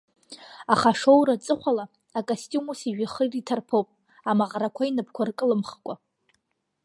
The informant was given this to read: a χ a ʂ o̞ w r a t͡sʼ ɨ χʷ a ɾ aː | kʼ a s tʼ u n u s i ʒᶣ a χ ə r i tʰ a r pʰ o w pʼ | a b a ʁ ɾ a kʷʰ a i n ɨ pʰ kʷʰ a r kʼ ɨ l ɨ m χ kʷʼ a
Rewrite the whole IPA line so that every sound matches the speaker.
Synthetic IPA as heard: a χ a ʂ o̞ w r a t͡sʼ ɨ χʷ a l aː | kʼ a s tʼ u m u s i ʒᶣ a χ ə r i tʰ a r pʰ o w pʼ | a m a ʁ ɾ a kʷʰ a i n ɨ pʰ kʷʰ a r kʼ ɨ l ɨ m χ kʷʼ a